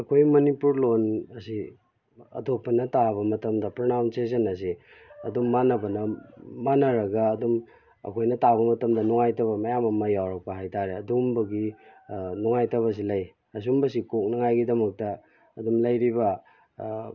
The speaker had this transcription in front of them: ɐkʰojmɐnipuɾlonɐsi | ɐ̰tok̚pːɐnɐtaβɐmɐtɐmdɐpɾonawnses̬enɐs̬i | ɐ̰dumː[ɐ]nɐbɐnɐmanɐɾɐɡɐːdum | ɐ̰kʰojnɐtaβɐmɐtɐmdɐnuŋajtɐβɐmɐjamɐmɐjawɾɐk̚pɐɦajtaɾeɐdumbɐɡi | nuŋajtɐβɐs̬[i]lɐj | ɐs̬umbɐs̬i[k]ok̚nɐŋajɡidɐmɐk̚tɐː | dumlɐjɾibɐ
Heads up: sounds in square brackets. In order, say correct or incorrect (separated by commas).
incorrect, correct, correct